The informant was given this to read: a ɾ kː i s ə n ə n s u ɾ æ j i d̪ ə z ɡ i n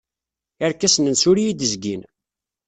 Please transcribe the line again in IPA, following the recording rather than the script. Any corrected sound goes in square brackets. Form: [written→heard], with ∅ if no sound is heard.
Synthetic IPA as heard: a ɾ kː [i→æ] s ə n ə n s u ɾ [æ→i] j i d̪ ə z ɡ i n